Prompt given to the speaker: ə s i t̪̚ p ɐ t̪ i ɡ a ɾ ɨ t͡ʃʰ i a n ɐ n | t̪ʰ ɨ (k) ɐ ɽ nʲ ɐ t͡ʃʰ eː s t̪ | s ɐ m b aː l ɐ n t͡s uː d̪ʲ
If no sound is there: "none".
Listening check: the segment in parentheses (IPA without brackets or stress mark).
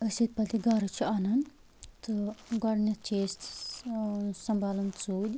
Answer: ɡ